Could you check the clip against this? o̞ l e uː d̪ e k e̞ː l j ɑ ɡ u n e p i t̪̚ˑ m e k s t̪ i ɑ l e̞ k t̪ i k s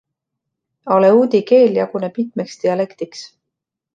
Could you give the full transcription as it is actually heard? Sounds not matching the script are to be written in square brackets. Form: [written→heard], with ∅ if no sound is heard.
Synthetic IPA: o̞ l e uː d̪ [e→i] k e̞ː l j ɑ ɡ u n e p i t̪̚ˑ m e k s t̪ i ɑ l e̞ k t̪ i k s